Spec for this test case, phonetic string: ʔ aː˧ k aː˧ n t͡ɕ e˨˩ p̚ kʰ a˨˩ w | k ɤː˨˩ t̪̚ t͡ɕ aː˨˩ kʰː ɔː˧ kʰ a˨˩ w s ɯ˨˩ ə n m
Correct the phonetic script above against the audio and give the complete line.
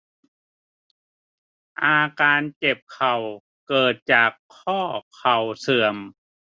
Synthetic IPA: ʔ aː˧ k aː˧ n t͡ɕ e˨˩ p̚ kʰ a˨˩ w | k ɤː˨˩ t̪̚ t͡ɕ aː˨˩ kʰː ɔː˥˩ kʰ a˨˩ w s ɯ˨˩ ə m